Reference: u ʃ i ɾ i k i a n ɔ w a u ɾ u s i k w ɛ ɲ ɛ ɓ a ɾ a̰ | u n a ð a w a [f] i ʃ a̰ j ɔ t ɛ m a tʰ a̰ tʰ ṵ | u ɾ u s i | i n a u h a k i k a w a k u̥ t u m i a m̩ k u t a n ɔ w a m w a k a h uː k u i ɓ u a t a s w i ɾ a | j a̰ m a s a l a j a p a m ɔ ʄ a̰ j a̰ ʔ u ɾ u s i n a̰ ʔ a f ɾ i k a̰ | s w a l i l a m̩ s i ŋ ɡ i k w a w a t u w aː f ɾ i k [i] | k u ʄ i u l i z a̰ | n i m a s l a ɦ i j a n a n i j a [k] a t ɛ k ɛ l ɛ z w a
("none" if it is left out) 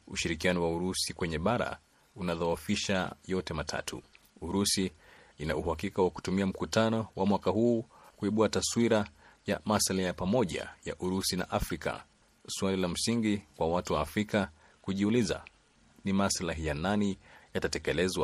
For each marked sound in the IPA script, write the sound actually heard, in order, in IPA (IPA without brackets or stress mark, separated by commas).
f, a, t